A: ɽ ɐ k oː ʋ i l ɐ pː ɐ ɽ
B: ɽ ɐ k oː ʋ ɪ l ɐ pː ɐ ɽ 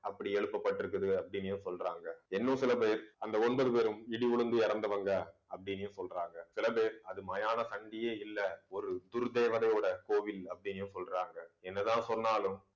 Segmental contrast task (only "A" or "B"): B